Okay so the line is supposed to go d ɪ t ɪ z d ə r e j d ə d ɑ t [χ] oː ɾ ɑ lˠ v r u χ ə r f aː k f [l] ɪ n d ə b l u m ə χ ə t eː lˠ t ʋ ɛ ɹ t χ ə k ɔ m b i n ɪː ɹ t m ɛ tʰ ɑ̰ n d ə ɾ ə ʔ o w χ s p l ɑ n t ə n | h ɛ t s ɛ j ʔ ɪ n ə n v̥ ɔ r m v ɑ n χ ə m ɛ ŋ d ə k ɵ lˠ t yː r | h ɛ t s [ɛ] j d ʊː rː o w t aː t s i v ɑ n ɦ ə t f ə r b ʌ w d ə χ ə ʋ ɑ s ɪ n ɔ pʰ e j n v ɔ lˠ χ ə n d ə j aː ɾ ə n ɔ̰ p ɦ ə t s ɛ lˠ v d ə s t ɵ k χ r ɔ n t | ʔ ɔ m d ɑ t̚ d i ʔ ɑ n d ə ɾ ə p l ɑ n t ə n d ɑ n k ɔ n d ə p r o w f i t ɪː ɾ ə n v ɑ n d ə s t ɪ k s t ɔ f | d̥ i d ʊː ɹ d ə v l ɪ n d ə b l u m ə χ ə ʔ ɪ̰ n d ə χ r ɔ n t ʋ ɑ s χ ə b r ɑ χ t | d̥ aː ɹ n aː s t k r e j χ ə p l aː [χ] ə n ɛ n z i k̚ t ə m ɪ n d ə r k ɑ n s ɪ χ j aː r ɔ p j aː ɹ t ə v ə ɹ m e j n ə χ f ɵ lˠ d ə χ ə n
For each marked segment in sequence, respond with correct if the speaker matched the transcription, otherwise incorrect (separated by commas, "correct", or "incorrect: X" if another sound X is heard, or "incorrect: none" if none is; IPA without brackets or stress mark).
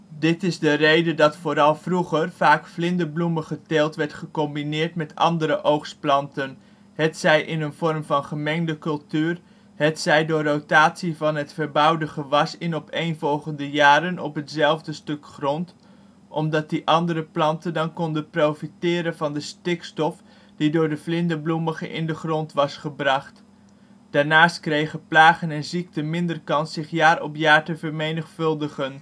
incorrect: f, correct, correct, correct